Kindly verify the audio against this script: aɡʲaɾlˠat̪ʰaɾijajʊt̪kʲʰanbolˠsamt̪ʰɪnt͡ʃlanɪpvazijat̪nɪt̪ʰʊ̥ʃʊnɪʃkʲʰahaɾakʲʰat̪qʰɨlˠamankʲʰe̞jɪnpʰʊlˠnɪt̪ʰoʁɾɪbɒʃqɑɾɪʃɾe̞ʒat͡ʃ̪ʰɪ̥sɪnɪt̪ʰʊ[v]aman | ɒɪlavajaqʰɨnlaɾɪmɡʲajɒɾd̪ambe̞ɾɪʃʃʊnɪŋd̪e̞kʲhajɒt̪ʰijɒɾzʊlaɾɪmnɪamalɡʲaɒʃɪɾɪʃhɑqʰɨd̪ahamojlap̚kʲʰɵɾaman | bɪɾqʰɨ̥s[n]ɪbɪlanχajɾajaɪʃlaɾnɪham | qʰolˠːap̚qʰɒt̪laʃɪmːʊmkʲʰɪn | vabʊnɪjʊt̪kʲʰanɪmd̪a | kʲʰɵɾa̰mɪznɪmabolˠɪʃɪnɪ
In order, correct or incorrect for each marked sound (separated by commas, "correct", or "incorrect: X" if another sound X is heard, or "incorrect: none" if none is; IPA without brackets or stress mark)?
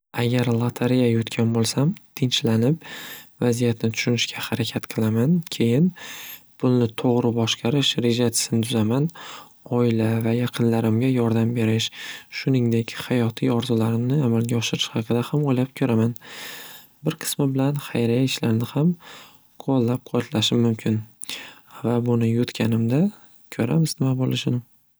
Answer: incorrect: z, incorrect: m